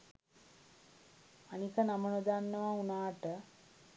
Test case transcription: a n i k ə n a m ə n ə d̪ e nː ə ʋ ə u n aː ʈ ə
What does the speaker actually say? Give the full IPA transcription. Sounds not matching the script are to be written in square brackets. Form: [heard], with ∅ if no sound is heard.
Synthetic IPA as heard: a n i k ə n a m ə n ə d̪ [a] nː ə ʋ [a] u n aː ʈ ə